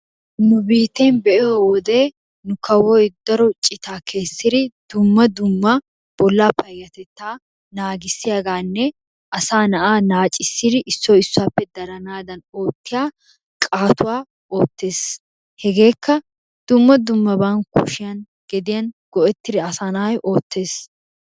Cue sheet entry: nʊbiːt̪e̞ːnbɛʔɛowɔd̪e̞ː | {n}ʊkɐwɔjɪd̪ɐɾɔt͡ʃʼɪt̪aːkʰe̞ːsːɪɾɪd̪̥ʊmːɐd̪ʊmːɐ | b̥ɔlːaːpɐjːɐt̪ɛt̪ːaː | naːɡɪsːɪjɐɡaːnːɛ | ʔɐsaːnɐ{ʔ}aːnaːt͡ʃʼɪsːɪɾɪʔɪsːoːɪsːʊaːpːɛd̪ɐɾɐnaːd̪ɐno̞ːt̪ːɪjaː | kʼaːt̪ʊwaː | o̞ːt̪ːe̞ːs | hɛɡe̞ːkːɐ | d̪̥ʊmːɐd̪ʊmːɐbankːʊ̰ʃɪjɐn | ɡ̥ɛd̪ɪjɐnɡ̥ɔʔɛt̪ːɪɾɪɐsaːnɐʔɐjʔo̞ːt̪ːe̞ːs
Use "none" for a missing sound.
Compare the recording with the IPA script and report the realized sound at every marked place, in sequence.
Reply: n, ʔ

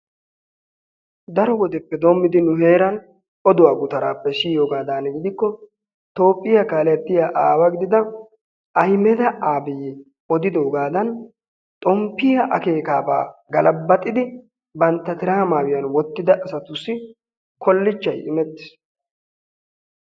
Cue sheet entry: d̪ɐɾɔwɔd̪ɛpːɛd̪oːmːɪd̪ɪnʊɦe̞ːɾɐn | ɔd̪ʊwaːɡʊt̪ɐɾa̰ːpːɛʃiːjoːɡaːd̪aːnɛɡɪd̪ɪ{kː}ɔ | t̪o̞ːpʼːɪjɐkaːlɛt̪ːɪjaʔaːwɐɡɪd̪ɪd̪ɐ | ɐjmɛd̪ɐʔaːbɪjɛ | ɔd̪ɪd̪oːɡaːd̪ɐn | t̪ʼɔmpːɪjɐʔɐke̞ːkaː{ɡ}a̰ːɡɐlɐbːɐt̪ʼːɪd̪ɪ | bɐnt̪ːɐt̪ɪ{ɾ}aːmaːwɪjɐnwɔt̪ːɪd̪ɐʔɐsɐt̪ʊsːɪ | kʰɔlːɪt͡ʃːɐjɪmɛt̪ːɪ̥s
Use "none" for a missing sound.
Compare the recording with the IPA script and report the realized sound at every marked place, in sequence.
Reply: kː, b, ɾ

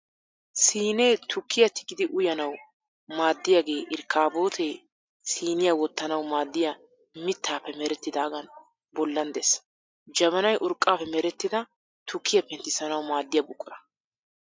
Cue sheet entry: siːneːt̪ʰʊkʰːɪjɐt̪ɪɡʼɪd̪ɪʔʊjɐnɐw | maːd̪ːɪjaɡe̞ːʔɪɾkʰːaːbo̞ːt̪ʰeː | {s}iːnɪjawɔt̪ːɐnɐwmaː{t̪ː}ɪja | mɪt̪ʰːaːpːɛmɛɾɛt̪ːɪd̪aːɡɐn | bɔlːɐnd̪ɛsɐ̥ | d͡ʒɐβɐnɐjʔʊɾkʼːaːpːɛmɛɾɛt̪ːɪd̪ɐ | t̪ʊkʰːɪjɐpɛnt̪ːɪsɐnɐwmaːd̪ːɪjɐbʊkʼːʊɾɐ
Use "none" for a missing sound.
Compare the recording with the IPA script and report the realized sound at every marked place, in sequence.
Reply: s, d̪ː

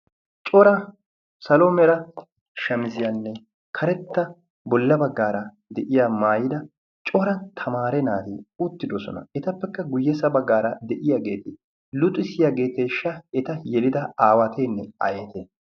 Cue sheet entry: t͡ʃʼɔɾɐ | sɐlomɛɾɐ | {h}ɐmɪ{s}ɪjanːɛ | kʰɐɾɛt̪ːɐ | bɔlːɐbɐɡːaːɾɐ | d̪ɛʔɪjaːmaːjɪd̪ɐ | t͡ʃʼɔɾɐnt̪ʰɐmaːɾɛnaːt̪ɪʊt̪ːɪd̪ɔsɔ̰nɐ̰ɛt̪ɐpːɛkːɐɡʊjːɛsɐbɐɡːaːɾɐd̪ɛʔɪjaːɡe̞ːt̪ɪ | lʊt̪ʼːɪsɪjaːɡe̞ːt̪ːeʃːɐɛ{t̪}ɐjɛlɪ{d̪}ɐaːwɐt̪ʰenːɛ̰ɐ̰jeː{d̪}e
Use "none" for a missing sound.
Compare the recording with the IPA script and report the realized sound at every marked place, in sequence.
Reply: ʃ, z, t̪, d̪, t̪

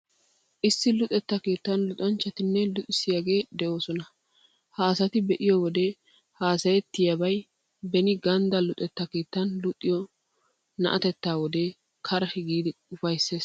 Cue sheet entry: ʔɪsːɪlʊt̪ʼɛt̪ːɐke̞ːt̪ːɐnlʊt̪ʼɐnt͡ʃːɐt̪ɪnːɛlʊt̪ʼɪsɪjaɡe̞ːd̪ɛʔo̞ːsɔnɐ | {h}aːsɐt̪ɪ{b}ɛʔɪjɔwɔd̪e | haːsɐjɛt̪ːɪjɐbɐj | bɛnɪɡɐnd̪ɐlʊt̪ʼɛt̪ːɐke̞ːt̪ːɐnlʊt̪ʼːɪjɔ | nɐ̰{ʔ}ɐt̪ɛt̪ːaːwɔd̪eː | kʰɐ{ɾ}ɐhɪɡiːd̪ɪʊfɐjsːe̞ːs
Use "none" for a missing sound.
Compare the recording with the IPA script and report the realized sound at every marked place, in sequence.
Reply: h, b, ʔ, ɾ

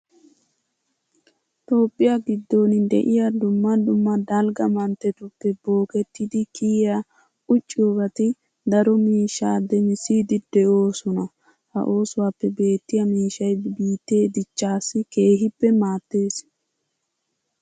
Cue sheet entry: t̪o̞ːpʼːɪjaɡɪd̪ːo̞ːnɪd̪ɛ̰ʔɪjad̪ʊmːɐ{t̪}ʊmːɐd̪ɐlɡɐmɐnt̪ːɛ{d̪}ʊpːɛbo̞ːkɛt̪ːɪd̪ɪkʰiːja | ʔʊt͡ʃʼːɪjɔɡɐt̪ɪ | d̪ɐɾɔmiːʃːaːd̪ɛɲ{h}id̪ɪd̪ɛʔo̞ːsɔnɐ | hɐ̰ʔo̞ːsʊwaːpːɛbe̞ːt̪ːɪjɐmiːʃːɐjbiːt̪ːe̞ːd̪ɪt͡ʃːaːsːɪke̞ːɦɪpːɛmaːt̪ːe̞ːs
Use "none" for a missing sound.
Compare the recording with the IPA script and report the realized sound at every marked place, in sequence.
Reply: d̪, t̪, s

